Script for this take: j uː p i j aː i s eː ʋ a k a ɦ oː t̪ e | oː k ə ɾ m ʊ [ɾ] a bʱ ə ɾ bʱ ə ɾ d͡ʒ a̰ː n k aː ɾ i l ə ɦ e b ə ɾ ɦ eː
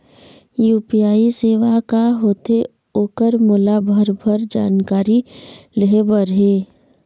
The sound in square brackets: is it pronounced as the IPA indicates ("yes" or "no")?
no